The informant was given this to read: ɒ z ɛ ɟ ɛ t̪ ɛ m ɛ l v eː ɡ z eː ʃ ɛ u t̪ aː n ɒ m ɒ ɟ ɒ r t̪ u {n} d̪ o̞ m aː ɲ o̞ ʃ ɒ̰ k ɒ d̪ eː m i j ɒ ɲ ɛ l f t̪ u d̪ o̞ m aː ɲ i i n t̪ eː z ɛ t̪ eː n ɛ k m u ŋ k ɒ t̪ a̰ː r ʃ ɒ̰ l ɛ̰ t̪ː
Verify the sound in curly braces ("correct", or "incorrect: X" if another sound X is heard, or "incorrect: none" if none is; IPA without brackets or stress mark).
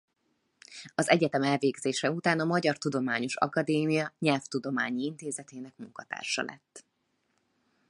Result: incorrect: none